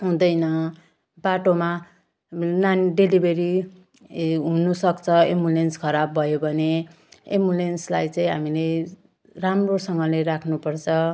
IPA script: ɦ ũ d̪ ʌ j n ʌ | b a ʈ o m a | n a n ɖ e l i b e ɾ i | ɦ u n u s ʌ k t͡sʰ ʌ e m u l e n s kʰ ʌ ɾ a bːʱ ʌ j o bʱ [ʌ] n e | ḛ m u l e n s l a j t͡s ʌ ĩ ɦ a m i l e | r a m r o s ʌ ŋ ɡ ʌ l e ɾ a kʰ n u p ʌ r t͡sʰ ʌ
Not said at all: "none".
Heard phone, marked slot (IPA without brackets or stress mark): ʌ